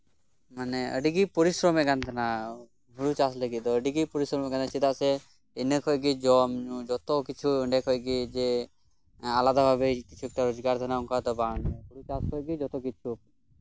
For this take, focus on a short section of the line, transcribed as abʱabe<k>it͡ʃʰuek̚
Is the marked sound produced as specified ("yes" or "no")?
yes